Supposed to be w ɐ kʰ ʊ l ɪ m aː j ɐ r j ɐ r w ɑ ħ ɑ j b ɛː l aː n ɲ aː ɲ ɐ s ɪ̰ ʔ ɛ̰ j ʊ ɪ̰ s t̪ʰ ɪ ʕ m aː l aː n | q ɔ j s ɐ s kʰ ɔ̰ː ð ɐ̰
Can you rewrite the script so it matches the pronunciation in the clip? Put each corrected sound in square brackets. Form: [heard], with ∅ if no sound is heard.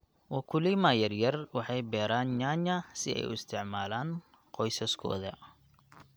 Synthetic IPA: w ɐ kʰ ʊ l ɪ m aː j ɐ r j ɐ r w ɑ ħ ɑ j b ɛː [ɾ] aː n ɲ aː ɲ ɐ s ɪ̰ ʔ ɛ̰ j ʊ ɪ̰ s t̪ʰ ɪ ʕ m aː l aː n | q ɔ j s ɐ s kʰ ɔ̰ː ð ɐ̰